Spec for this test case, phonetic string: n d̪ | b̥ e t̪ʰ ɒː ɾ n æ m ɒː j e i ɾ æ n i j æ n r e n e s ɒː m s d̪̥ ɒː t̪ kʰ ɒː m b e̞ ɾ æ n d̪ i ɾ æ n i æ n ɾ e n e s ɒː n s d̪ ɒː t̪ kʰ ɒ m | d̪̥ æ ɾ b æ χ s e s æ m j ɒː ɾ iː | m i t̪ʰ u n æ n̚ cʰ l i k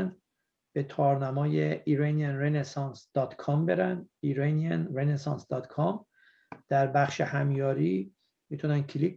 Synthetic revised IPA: n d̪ | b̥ e t̪ʰ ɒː ɾ n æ m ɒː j e i ɾ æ n i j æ n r e n e s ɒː n s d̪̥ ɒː t̪ kʰ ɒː m b e̞ ɾ æ n d̪ i ɾ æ n i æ n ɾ e n e s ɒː n s d̪ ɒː t̪ kʰ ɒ m | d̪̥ æ ɾ b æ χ ʃ e h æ m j ɒː ɾ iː | m i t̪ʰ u n æ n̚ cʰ l i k